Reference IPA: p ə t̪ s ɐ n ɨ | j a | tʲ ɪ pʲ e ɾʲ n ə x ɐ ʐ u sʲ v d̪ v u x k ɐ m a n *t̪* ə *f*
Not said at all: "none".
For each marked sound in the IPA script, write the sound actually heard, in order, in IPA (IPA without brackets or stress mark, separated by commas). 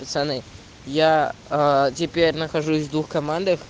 d̪, x